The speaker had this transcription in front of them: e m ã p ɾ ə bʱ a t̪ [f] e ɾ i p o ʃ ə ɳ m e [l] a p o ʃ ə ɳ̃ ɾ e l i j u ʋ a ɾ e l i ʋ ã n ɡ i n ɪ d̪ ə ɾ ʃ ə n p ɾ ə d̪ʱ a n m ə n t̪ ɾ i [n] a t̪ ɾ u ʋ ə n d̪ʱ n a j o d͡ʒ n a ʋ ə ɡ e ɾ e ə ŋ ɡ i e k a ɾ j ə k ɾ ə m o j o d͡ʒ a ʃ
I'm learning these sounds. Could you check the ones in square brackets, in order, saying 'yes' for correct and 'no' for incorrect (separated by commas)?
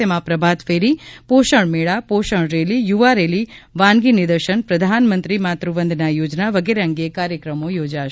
yes, no, no